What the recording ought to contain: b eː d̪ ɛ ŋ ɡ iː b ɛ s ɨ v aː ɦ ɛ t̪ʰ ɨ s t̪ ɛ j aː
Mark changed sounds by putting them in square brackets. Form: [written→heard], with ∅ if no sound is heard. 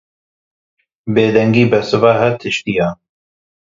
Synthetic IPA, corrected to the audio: b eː d̪ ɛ ŋ ɡ iː b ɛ s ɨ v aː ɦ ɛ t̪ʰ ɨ [s→ʃ] t̪ [ɛ→i] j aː